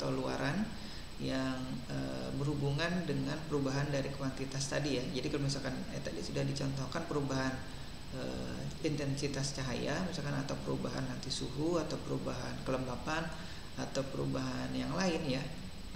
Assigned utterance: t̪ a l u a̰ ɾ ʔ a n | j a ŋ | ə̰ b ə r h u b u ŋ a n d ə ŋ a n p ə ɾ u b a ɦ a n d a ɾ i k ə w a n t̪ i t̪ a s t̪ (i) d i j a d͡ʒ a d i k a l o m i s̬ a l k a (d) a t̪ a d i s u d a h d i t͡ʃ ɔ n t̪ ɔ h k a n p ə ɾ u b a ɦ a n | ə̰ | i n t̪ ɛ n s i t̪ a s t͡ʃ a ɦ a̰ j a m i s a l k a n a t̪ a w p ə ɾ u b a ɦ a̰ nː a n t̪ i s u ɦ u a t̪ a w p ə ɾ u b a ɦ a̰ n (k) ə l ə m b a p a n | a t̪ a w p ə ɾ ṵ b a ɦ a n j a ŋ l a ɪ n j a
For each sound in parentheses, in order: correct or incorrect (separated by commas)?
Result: incorrect, incorrect, correct